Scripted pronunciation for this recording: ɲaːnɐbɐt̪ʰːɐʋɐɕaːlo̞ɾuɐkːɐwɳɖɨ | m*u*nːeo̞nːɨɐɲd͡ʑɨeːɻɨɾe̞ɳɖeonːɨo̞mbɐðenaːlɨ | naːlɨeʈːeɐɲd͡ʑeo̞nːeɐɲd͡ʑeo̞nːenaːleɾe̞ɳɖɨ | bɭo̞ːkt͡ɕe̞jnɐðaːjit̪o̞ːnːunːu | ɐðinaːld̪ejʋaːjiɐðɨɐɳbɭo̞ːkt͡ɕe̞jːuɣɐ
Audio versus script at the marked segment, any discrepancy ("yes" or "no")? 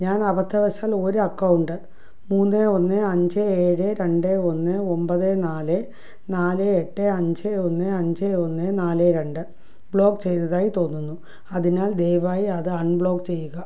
yes